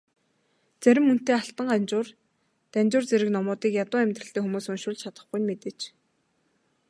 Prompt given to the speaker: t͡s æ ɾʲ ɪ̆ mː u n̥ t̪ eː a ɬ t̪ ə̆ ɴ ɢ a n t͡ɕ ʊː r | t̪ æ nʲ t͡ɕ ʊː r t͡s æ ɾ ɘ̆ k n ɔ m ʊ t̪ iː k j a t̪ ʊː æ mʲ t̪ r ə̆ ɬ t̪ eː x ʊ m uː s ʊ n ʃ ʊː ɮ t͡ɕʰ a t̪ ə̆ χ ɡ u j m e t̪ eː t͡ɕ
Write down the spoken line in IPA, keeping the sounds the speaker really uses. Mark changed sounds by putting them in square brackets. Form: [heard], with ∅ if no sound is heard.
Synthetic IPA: t͡s æ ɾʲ ɪ̆ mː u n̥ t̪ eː a ɬ t̪ ə̆ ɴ ɢ a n t͡ɕ ʊː r | t̪ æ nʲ t͡ɕ ʊː r t͡s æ ɾ ɘ̆ k n ɔ m [ʊː] t̪ iː k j a t̪ ʊː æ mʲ t̪ r ə̆ ɬ t̪ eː x [u] m uː s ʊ n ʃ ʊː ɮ t͡ɕʰ a t̪ ə̆ χ ɡ u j m e t̪ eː t͡ɕ